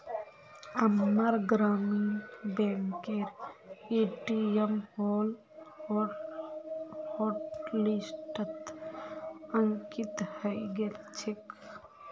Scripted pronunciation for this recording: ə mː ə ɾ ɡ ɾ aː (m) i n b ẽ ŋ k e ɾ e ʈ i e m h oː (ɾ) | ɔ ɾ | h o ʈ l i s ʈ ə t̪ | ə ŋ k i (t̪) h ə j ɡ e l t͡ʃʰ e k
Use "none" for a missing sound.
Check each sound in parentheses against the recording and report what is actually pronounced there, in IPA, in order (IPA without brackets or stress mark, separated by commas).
m, l, t̪